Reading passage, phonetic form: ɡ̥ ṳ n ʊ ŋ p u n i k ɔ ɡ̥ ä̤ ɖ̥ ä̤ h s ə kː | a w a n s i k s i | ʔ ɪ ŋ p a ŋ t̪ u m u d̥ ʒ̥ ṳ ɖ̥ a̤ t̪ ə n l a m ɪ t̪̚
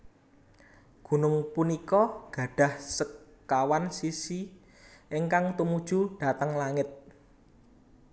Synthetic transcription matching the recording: ɡ̥ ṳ n ʊ ŋ p u n i k ɔ ɡ̥ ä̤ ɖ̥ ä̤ h s ə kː | a w a n s i s i | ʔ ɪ ŋ k a ŋ t̪ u m u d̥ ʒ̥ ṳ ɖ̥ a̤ t̪ ə ŋ l a ŋ ɪ t̪̚

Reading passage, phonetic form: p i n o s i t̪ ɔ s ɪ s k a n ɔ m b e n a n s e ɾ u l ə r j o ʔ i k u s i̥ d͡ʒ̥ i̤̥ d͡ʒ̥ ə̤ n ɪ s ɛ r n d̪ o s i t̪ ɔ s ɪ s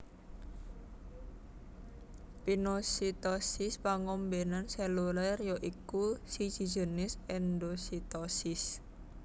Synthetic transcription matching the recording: p i n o s i t̪ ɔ s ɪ s p a ŋ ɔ m b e n a n s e l u l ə r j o ʔ i k u s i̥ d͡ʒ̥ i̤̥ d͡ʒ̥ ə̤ n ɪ s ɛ n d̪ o s i t̪ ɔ s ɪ s

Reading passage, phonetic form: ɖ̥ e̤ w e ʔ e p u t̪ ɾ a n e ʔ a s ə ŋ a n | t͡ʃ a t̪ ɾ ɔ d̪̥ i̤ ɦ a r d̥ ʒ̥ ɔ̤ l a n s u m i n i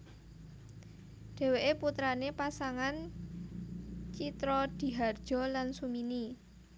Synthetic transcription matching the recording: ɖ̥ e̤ w e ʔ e p u t̪ ɾ a n e p a s a ŋ a n | t͡ʃ i t̪ ɾ ɔ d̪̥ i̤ ɦ a r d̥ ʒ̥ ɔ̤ l a n s u m i n i

